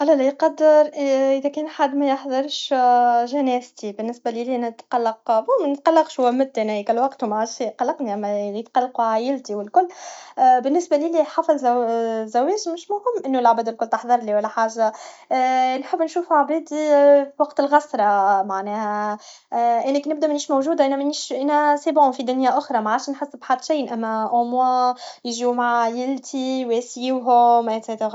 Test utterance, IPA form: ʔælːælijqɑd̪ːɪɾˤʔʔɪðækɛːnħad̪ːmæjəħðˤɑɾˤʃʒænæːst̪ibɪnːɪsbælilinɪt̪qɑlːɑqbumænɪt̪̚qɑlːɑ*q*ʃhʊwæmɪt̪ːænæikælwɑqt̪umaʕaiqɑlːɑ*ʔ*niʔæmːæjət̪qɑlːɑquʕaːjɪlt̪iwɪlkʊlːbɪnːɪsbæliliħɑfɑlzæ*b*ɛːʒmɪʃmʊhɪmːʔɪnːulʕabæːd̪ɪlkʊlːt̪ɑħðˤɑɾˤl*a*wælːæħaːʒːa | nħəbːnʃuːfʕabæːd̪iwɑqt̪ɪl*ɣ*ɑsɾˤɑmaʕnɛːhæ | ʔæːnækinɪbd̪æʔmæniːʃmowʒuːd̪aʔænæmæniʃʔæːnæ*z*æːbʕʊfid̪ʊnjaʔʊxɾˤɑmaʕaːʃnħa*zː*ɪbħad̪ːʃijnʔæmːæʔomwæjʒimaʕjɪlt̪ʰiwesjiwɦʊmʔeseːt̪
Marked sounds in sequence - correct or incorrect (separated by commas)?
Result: correct, incorrect, incorrect, incorrect, correct, incorrect, incorrect